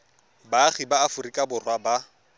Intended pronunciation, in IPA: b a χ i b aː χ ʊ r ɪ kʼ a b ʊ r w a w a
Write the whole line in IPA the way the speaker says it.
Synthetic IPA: b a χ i b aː f ʊ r i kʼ a b ʊ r w a b a